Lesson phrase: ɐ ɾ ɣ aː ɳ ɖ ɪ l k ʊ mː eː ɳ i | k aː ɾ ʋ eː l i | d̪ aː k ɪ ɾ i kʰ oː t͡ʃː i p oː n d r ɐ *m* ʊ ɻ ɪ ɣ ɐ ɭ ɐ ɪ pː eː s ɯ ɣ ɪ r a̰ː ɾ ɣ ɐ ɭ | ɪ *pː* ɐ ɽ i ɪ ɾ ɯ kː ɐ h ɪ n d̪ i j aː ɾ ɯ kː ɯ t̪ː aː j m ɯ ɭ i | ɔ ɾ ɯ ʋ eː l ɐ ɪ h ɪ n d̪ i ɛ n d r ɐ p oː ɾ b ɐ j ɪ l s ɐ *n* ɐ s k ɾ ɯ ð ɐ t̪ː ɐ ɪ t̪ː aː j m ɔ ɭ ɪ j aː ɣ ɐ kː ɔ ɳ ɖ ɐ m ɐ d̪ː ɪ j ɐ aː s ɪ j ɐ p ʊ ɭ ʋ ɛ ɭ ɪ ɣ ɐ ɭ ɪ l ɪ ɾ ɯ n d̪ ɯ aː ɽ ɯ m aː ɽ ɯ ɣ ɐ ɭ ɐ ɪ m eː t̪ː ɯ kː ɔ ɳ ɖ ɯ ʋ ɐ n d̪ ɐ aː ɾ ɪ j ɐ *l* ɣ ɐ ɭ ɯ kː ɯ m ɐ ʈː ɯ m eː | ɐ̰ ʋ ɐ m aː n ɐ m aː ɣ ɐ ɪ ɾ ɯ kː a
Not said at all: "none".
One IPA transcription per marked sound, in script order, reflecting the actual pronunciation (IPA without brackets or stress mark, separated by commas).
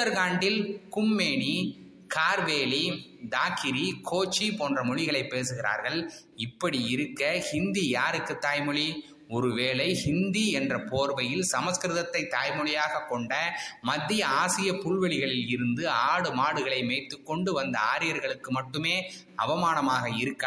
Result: m, pː, m, ɾ